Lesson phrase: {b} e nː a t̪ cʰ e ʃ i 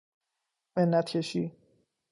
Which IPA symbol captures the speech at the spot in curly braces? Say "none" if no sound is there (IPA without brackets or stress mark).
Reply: m